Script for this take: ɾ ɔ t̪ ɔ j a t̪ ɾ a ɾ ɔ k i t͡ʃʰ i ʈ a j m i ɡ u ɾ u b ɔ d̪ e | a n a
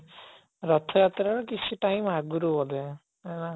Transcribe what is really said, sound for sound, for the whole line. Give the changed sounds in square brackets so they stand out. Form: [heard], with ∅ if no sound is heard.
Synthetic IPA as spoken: ɾ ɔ [t̪ʰ] ɔ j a t̪ ɾ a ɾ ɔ k i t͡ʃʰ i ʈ a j m [a] ɡ u ɾ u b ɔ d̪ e | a n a